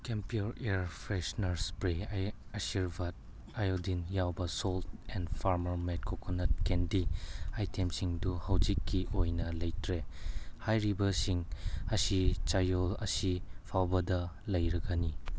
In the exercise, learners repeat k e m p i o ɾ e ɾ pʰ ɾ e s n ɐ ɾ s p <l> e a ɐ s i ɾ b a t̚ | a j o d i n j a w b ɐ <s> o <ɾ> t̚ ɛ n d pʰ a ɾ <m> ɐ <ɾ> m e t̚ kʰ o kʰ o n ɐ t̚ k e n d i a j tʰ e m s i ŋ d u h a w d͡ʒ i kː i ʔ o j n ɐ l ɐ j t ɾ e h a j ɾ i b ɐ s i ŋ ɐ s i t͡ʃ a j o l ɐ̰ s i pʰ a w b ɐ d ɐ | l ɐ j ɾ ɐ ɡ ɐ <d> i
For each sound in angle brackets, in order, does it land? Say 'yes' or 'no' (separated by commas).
no, yes, no, yes, yes, no